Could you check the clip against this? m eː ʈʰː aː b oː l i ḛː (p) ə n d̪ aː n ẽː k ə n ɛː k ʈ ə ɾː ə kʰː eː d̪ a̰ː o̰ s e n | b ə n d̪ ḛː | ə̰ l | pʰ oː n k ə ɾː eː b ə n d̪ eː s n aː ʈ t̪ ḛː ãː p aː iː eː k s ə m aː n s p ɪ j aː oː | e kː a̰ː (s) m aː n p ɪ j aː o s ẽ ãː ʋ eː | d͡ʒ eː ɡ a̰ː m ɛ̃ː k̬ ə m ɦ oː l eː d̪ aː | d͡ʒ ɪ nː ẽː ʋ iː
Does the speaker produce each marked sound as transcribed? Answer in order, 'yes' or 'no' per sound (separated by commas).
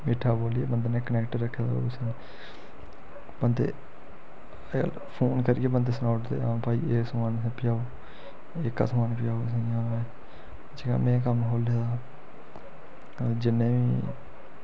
no, yes